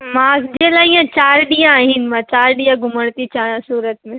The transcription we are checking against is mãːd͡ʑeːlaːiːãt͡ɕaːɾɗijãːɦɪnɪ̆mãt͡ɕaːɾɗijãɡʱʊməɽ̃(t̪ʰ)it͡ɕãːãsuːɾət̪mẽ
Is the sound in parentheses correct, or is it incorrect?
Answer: incorrect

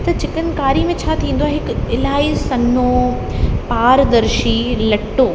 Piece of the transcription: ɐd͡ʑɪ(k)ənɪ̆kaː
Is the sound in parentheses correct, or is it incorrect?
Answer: correct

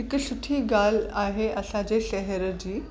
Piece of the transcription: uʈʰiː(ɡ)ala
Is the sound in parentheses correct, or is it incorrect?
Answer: correct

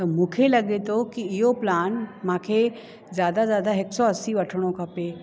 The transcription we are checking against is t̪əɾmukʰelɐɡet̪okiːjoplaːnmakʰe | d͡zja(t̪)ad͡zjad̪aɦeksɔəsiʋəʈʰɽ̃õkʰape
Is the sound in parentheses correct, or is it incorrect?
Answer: incorrect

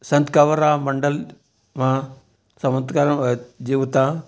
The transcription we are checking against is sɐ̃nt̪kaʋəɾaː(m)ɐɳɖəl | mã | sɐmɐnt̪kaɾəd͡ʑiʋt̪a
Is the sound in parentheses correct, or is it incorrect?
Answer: correct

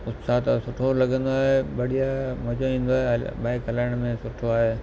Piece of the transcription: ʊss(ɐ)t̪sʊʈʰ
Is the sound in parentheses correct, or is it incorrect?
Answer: incorrect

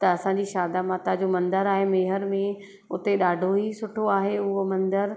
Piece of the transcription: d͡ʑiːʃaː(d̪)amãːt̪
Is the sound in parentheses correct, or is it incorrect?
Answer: correct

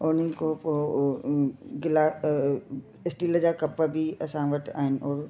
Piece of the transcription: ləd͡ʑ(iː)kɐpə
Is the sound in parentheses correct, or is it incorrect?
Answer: incorrect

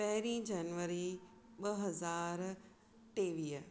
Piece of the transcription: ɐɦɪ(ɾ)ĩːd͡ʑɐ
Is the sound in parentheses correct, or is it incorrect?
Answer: correct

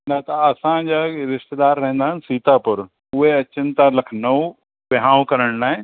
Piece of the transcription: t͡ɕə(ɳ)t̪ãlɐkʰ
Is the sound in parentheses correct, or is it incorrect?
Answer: incorrect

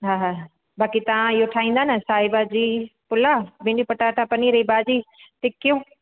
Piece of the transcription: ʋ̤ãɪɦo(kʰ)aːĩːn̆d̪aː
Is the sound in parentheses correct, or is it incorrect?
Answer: incorrect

